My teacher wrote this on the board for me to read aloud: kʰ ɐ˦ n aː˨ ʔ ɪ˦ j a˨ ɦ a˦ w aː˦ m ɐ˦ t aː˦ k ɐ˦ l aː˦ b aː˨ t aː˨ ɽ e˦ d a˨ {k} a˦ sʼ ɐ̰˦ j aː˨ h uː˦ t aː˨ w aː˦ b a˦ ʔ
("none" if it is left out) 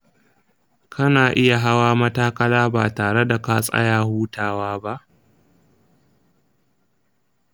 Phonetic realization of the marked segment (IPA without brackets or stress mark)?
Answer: k